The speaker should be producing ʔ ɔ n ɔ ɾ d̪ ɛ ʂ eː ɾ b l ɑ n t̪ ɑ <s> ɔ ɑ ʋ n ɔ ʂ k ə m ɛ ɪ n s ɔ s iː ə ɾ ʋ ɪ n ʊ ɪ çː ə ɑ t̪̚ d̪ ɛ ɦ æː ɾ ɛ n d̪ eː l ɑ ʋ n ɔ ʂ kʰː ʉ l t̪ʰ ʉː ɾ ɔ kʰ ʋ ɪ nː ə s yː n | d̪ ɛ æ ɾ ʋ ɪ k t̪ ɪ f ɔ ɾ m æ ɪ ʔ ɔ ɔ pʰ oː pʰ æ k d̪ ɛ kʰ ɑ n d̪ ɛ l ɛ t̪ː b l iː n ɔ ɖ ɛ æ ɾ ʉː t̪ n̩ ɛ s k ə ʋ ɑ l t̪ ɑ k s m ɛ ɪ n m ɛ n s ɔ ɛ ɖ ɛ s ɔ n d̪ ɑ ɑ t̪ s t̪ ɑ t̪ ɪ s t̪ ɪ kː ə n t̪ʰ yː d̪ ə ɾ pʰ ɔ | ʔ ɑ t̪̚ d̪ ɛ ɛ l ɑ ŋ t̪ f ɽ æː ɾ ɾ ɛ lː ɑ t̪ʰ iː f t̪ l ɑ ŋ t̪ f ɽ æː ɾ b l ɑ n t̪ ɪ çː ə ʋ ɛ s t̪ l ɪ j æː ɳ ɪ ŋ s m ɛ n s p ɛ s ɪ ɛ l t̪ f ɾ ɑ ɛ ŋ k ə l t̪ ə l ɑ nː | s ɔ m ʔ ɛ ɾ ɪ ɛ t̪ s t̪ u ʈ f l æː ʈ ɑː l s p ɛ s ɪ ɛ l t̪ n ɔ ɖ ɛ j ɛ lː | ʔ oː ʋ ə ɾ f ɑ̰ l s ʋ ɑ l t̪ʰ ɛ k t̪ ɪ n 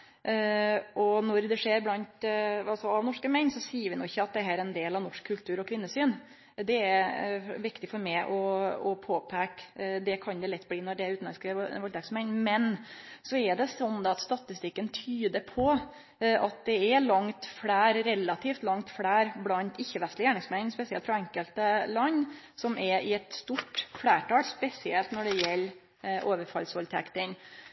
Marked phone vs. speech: correct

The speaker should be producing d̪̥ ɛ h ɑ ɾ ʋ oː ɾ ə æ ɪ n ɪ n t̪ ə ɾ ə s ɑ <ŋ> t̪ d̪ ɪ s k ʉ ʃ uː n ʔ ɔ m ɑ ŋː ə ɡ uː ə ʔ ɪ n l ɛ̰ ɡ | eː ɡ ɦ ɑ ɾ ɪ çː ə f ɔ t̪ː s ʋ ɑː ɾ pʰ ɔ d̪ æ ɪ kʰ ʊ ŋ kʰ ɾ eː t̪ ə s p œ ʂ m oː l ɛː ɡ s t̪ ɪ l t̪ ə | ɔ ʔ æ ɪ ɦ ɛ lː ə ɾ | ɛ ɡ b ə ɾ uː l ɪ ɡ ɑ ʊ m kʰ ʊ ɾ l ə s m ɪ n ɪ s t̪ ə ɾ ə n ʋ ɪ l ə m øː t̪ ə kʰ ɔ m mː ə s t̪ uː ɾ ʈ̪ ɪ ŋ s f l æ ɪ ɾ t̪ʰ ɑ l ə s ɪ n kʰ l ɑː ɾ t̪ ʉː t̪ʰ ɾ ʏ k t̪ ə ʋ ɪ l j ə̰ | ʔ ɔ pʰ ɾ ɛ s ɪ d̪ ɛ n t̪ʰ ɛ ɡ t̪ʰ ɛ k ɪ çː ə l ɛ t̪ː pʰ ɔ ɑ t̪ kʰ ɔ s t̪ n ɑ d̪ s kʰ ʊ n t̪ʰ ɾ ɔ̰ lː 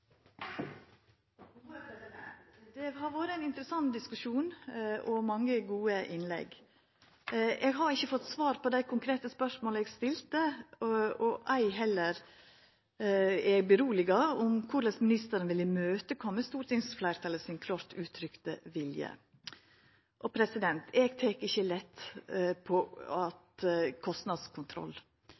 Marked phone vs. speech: incorrect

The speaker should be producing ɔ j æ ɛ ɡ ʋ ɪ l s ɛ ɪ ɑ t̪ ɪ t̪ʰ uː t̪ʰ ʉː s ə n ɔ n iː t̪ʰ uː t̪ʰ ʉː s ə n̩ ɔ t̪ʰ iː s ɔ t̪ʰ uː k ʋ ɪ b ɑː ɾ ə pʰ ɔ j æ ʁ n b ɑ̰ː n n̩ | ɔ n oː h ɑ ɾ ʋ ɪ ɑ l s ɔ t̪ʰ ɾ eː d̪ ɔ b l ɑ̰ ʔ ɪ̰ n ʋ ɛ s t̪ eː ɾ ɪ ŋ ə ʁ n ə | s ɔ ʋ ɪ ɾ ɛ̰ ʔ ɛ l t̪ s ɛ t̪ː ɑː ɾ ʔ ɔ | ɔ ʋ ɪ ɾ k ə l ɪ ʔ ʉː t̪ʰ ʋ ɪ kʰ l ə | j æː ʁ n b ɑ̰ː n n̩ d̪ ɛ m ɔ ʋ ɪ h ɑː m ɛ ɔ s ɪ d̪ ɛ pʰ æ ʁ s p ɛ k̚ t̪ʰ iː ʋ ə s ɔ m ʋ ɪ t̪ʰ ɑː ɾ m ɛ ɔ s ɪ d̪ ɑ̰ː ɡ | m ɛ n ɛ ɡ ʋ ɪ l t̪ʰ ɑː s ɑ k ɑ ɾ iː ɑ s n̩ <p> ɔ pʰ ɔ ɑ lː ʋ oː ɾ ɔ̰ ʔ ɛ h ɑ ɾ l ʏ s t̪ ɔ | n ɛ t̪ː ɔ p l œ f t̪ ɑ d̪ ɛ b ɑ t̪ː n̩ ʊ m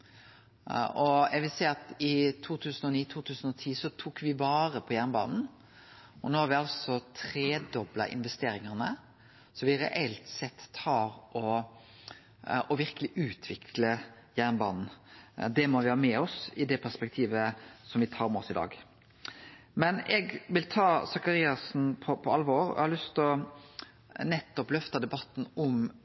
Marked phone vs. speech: incorrect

